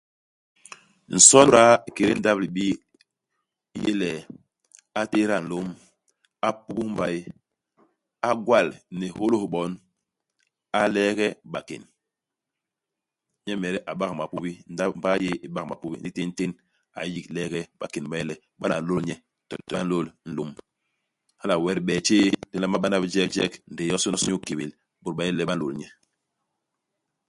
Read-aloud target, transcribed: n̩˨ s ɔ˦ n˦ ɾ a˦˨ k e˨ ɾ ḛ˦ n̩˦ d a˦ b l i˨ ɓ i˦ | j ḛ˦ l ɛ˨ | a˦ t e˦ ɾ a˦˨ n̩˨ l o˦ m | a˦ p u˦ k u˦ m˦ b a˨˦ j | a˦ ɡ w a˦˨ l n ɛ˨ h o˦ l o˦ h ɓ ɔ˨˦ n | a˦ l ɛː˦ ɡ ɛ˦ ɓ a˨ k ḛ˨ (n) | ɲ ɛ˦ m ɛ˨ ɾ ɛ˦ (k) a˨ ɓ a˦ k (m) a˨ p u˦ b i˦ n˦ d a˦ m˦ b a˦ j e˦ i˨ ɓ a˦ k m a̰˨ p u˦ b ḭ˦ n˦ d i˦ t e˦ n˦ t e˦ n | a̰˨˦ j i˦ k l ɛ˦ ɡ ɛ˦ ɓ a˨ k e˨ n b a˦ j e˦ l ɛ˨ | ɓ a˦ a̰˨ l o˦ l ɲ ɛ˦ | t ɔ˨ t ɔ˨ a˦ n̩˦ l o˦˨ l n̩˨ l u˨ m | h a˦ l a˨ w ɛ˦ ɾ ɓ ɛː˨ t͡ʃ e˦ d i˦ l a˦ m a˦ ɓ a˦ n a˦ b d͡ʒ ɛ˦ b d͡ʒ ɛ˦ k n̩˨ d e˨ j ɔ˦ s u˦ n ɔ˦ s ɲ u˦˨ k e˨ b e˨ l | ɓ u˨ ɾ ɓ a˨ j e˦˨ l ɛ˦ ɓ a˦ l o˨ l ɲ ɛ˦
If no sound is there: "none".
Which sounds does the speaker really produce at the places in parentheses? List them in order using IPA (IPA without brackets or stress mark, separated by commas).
n, ʔ, m